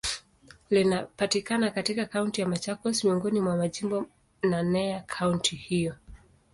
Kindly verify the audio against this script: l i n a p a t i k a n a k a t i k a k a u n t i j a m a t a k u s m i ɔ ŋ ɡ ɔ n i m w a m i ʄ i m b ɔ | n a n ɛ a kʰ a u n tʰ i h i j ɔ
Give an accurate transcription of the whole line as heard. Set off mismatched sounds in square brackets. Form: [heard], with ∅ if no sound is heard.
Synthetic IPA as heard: l i n a p a t i k a n a k a t i k a k a u n t i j a m a [t͡ʃ] a k [ɔ] s m i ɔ ŋ ɡ ɔ n i m w a m [a] ʄ i m b ɔ | n a n ɛ a kʰ a u n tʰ i h i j ɔ